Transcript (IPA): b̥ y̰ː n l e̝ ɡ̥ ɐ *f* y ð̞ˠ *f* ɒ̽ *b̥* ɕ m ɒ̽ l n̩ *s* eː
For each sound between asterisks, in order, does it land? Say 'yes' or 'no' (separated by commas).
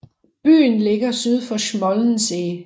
no, yes, no, yes